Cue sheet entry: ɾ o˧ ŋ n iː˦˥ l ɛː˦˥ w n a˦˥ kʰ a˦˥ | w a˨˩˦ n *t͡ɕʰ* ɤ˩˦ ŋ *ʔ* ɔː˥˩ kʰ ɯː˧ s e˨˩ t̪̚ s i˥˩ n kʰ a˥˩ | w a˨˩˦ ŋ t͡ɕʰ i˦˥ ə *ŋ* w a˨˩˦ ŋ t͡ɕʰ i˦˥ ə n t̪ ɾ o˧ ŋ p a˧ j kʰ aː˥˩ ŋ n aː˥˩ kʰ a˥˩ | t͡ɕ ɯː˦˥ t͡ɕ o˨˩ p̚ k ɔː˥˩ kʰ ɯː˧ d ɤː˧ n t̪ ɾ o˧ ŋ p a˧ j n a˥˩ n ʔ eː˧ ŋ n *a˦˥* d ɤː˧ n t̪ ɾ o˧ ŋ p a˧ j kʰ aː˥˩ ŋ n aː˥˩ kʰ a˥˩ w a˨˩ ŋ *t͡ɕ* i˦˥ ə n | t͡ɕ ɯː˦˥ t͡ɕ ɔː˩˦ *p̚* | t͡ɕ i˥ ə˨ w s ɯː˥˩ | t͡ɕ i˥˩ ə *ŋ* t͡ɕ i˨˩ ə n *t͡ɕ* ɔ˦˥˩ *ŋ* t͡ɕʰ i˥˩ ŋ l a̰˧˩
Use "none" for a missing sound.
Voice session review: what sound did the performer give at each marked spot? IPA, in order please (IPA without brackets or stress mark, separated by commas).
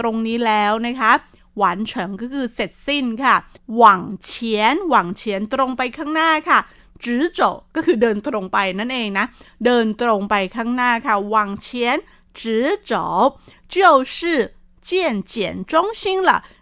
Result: t͡ɕʰ, k, n, a˦˥, t͡ɕʰ, p̚, n, t͡ɕ, ŋ